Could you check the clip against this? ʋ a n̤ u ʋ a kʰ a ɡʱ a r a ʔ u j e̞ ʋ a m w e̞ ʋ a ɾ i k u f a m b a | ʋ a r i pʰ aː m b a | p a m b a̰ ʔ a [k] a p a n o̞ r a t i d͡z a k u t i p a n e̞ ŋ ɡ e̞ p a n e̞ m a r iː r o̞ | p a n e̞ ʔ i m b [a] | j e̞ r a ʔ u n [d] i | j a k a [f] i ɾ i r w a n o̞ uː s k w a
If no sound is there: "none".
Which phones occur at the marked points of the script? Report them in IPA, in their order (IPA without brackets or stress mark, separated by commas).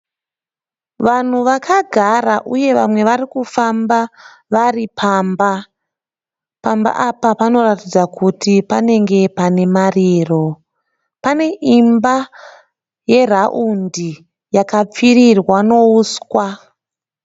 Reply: p, a, d, p͡f